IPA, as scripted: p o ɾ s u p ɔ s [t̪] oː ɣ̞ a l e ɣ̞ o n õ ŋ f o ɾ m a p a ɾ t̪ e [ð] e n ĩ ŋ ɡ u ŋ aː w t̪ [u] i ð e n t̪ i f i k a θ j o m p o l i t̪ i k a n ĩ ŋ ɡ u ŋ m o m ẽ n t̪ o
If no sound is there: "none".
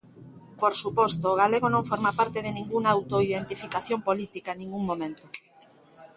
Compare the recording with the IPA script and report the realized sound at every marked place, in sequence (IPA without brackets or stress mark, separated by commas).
t̪, ð, o